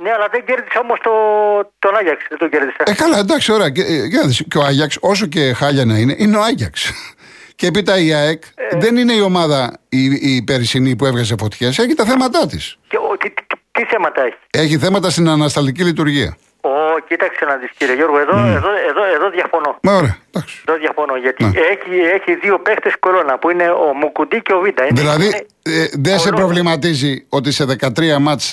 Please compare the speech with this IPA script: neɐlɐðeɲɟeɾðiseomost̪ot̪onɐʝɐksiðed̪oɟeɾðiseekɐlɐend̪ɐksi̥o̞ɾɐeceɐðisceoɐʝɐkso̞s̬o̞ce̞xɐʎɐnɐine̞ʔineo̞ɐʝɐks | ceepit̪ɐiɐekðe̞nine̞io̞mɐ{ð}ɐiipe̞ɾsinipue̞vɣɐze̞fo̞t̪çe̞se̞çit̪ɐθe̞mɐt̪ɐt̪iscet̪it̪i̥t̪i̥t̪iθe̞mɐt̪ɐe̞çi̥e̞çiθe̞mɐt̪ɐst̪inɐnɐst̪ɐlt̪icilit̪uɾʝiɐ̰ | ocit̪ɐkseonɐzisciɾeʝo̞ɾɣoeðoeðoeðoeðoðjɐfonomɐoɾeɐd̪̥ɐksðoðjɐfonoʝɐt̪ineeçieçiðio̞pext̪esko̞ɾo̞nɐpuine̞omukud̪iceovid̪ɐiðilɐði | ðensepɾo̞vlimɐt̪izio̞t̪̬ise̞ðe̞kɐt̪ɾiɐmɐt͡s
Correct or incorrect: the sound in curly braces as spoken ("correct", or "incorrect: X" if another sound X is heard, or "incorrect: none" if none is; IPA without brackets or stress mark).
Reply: correct